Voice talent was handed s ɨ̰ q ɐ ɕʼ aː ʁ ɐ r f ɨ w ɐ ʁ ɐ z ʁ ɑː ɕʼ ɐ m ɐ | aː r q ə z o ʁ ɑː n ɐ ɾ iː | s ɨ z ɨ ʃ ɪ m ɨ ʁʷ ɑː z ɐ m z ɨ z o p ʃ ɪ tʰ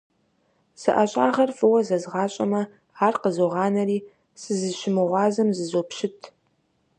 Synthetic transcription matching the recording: s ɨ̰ ʔ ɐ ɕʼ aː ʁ ɐ r f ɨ w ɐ z ɐ z ʁ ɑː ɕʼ ɐ m ɐ | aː r q ə z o ʁ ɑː n ɐ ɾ iː | s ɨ z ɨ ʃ ɪ m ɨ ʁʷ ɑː z ɐ m z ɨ z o p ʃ ɪ tʰ